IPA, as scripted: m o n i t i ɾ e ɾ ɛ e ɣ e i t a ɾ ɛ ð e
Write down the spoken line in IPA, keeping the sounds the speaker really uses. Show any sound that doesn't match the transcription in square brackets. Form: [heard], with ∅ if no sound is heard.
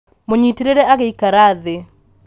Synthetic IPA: m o [ɲ] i t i ɾ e ɾ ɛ [a] ɣ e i [k] a ɾ [a] ð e